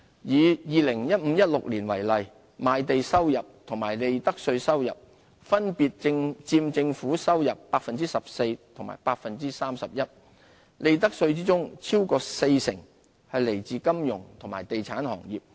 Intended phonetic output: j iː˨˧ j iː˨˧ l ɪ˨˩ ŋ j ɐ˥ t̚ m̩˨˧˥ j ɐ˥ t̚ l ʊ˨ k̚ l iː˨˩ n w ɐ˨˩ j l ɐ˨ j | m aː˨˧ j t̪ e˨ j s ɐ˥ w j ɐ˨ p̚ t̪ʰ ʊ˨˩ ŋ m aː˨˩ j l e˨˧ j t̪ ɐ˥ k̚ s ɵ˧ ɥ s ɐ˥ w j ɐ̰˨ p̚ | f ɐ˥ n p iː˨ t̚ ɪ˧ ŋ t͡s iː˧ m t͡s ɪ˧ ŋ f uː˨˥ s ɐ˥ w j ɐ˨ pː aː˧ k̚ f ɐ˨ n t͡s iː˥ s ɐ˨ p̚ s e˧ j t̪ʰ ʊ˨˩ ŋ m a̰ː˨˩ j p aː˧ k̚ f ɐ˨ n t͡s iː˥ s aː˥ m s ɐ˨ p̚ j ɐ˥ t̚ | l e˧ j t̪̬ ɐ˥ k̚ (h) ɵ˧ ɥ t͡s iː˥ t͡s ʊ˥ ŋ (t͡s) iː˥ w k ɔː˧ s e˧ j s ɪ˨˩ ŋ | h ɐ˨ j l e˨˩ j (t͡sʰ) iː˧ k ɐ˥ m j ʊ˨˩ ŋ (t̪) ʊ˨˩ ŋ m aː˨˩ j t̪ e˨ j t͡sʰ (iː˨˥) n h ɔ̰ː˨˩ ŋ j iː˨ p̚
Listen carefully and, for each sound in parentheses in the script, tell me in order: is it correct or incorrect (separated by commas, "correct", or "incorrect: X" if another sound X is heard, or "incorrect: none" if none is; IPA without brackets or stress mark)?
incorrect: s, incorrect: t͡sʰ, incorrect: t͡s, incorrect: t̪ʰ, incorrect: aː˨˥